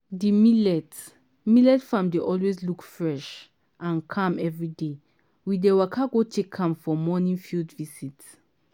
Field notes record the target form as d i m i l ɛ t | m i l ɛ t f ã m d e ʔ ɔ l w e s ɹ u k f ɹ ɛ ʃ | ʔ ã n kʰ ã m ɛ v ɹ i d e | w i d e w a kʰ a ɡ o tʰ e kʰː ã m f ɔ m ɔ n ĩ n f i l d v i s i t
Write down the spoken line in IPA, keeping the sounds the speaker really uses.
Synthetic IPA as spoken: d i m i l ɛ t | m i l ɛ t f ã m d e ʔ ɔ l w e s l u k f ɹ ɛ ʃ | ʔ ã n kʰ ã m ɛ v ɹ i d e | w i d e w a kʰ a ɡ o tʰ e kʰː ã m f ɔ m ɔ n ĩ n f i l d v i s i t